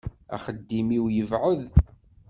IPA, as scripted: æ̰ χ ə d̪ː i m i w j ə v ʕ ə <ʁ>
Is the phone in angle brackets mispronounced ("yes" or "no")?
yes